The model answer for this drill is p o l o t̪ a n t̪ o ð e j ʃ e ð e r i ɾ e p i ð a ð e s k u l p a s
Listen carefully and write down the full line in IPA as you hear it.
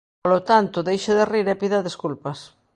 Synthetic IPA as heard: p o l o t̪ a n t̪ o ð e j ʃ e ð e r i ɾ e p i ð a ð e s k u l p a s